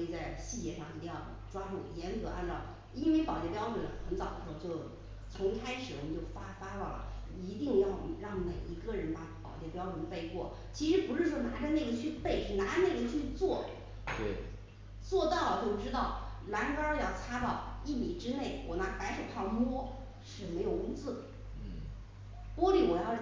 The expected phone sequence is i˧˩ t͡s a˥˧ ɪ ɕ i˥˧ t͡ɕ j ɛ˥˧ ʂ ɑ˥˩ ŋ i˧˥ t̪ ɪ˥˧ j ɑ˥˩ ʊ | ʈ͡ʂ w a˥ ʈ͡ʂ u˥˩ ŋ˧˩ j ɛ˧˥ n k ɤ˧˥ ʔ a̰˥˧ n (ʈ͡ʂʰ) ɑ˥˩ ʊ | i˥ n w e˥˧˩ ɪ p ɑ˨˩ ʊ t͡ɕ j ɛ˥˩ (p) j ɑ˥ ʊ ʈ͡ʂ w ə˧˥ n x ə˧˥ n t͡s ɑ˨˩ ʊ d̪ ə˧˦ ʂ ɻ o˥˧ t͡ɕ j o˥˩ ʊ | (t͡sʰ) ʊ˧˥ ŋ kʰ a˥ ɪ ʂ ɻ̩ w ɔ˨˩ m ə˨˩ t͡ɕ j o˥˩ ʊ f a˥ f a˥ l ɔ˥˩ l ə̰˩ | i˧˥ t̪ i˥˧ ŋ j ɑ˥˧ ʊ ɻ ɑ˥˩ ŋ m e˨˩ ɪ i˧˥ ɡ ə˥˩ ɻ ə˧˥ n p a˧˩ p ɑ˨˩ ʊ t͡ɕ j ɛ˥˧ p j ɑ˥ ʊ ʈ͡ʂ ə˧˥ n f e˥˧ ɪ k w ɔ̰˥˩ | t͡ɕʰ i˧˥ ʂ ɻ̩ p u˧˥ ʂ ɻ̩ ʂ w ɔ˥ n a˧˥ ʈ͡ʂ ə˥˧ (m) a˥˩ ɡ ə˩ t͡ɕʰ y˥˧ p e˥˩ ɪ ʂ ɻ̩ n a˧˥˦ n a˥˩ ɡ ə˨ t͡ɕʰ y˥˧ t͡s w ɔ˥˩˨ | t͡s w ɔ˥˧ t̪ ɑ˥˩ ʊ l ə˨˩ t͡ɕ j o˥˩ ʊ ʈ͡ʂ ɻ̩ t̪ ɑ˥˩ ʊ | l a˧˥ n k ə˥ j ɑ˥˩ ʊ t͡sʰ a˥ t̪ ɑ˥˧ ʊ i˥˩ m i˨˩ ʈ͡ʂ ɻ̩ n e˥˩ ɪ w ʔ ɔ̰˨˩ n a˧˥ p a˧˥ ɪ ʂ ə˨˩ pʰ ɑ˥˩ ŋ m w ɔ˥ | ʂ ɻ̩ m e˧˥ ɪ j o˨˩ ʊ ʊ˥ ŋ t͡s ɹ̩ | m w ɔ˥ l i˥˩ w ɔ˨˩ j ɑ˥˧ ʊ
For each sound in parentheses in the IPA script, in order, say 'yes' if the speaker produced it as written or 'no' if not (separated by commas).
no, yes, yes, no